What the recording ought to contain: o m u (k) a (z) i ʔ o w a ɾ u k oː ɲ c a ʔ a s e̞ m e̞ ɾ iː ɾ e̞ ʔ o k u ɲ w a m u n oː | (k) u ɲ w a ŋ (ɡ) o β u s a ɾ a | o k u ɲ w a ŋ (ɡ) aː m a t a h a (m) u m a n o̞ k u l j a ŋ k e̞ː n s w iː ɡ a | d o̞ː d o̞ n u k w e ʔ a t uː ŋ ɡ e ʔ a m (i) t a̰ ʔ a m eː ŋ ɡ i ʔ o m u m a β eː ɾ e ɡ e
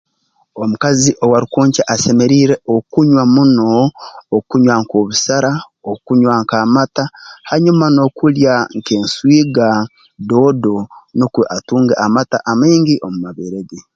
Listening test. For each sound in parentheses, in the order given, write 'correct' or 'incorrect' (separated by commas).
correct, correct, correct, incorrect, incorrect, incorrect, incorrect